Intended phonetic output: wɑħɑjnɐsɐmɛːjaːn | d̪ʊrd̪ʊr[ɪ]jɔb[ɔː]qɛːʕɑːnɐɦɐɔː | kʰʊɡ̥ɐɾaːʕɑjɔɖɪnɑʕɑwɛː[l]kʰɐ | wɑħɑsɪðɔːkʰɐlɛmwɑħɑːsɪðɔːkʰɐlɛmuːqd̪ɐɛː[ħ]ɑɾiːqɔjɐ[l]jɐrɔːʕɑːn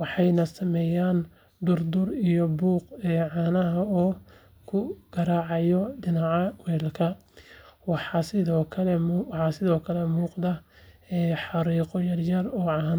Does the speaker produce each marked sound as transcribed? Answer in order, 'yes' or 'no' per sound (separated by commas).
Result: no, no, yes, yes, no